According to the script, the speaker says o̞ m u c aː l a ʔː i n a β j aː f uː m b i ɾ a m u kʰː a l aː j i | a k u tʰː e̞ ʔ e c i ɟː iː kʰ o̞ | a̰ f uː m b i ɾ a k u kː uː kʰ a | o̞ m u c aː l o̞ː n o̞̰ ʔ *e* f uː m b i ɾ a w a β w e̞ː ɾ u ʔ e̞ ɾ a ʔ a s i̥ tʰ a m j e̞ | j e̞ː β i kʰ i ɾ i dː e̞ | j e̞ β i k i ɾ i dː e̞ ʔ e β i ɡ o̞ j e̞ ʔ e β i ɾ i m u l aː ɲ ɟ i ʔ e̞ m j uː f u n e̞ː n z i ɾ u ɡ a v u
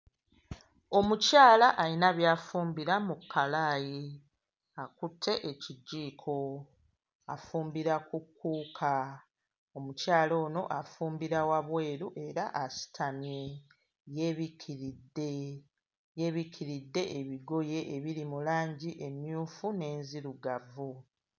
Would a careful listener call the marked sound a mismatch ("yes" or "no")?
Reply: yes